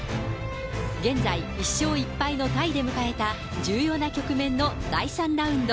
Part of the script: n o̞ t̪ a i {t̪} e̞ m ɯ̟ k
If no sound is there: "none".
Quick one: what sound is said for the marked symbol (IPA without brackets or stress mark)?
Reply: d̪